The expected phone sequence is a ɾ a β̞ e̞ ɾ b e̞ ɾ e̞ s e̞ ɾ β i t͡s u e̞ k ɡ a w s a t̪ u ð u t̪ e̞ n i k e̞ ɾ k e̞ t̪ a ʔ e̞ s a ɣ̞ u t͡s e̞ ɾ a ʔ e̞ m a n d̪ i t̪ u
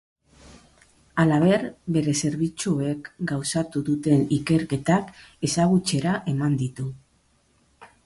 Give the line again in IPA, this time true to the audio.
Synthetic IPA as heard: a l a β̞ e̞ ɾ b e̞ ɾ e̞ s e̞ ɾ β i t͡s u e̞ k ɡ a w s a t̪ u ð u t̪ e̞ n i k e̞ ɾ k e̞ t̪ a k e̞ s a ɣ̞ u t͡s e̞ ɾ a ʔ e̞ m a n d̪ i t̪ u